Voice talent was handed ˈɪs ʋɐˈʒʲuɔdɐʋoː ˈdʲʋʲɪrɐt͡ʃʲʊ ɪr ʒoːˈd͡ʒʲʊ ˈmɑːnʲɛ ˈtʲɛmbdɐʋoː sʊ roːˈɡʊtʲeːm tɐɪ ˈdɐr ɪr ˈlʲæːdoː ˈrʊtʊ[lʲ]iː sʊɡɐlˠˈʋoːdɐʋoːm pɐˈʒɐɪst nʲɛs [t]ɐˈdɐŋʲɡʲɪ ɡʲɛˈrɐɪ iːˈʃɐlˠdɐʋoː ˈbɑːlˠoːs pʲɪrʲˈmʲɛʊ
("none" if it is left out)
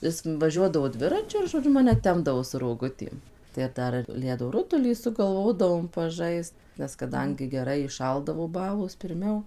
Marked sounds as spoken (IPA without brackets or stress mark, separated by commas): lʲ, k